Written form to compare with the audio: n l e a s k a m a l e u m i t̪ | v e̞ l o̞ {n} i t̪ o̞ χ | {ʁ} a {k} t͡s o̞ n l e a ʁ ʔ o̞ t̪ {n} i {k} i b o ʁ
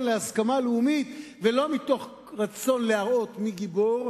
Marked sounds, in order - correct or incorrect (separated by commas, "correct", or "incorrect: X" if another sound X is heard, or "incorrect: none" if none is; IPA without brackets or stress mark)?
incorrect: m, correct, incorrect: none, incorrect: m, incorrect: ɡ